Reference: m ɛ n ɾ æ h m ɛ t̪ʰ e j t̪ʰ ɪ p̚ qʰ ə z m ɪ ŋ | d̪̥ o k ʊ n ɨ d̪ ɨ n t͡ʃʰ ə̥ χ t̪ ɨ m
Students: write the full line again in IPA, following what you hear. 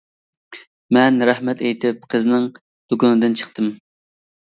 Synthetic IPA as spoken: m ɛ n ɾ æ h m ɛ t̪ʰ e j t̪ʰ ɪ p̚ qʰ ə z n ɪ ŋ | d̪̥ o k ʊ n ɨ d̪ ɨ n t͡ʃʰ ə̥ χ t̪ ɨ m